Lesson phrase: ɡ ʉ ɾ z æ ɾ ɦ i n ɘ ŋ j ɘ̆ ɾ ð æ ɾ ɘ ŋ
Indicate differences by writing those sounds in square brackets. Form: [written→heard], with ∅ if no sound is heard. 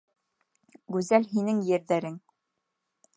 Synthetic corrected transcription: ɡ ʉ [ɾ→∅] z æ [ɾ→l] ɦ i n ɘ ŋ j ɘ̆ ɾ ð æ ɾ ɘ ŋ